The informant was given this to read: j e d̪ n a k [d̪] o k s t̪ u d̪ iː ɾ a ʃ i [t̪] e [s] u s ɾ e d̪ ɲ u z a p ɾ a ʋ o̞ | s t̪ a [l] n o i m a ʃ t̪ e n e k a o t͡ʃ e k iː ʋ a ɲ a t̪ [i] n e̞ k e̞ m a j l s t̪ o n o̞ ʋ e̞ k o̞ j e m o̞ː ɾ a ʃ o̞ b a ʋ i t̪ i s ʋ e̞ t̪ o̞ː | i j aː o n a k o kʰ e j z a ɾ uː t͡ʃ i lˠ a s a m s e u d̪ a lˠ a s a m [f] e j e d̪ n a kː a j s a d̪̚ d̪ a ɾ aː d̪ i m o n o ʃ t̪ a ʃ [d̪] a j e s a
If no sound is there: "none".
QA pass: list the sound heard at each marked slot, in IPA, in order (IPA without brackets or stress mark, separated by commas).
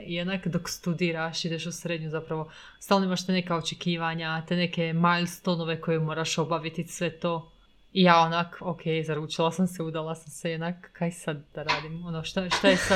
d̪, d̪, ʃ, l, e, s, t̪